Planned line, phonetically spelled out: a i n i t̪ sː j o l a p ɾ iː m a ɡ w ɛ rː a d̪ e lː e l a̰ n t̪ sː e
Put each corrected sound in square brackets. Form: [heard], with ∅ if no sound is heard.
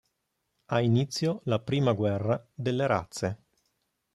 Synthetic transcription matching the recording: a i n i t̪ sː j o l a p ɾ iː m a ɡ w ɛ rː a d̪ e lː e [ɾ] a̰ [∅] t̪ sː e